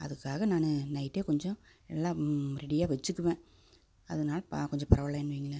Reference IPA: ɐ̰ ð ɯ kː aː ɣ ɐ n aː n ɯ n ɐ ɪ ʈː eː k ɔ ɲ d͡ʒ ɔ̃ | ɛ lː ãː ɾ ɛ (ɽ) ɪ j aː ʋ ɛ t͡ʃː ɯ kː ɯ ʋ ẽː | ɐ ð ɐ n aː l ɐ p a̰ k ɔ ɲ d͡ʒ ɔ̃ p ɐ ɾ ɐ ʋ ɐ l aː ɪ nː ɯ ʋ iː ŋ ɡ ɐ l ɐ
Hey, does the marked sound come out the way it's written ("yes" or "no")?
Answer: yes